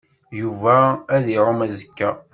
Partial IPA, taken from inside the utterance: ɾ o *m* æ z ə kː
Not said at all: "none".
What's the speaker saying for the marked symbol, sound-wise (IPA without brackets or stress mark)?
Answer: m